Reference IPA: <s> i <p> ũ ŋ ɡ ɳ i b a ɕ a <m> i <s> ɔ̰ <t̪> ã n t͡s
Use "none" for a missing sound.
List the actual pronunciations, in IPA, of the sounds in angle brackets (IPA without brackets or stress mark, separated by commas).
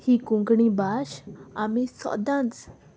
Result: h, k, m, s, d̪